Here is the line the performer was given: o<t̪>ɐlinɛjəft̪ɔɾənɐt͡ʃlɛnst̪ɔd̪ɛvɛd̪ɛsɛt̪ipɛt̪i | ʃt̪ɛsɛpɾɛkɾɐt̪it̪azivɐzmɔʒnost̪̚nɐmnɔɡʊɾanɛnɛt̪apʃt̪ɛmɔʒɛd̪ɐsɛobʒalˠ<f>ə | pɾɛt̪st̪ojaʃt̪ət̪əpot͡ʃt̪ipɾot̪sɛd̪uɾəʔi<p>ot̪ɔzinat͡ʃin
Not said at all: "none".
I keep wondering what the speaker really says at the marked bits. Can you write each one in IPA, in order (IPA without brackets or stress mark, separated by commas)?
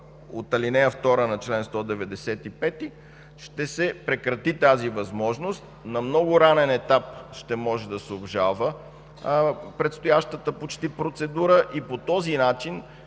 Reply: t̪, v, p